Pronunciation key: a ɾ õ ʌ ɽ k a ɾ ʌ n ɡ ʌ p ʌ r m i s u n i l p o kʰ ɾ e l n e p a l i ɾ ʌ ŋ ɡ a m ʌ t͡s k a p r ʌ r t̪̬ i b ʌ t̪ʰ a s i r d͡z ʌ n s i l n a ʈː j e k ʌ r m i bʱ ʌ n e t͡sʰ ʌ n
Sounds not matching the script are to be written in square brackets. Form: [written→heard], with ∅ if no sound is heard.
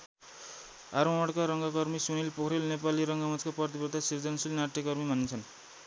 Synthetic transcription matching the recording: a ɾ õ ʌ ɽ k a ɾ ʌ [n→ŋ] ɡ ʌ [p→k] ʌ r m i s u n i l p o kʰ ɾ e l n e p a l i ɾ ʌ ŋ ɡ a m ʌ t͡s k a p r ʌ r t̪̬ i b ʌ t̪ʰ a s i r d͡z ʌ n s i l n a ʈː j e k ʌ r m i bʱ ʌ n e t͡sʰ ʌ n